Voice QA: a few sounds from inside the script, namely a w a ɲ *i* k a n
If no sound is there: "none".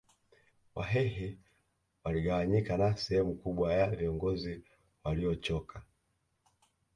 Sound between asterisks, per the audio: i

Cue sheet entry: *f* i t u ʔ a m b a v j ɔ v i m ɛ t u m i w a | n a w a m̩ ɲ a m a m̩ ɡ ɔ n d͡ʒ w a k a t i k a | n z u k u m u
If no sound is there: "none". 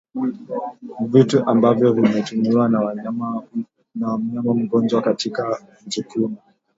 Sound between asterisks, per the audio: v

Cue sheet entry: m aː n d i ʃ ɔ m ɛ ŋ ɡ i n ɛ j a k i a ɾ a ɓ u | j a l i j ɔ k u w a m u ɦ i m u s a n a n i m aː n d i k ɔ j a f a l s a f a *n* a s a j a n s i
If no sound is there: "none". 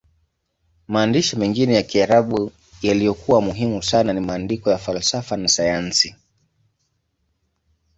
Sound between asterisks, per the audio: n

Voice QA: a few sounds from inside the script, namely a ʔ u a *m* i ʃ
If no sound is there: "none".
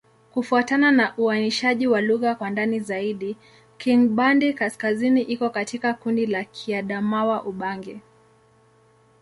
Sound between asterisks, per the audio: n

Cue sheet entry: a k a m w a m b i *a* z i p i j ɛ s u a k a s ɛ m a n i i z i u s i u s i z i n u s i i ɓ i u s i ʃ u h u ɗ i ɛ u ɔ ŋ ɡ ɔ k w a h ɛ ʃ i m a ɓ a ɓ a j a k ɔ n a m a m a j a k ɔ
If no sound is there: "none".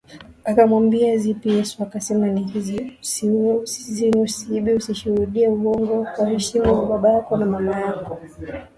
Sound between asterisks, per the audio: a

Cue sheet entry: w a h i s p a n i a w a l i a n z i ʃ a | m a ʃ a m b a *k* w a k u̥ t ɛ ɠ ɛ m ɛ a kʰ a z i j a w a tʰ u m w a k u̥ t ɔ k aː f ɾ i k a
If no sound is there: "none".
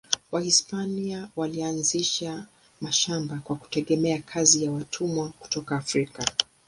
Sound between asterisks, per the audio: k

